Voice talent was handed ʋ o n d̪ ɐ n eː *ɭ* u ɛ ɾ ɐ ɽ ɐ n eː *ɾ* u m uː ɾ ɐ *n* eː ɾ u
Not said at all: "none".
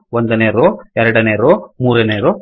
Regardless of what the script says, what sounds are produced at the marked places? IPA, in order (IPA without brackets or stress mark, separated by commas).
ɾ, ɾ, n